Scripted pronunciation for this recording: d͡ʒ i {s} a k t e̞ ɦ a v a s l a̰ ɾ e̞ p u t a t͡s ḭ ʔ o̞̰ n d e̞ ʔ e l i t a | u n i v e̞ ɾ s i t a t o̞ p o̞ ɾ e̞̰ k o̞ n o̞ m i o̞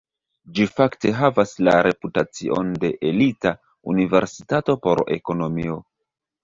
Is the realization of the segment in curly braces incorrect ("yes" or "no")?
yes